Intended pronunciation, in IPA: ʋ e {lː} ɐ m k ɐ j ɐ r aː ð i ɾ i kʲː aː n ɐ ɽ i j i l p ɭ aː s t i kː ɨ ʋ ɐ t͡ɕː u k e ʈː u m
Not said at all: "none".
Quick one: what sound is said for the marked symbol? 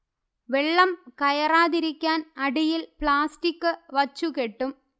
ɭː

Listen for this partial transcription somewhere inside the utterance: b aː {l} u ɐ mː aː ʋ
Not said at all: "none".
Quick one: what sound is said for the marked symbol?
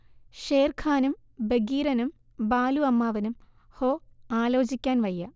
l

